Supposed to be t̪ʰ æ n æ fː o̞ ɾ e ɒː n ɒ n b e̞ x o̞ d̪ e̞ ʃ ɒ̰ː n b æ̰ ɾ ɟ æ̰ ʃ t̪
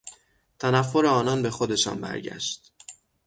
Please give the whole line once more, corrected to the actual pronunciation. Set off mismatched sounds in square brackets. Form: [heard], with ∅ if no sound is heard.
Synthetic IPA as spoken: t̪ʰ æ n æ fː o̞ ɾ e ɒː n ɒ n b e̞ x o̞ d̪ e̞ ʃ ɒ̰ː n b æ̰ ɾ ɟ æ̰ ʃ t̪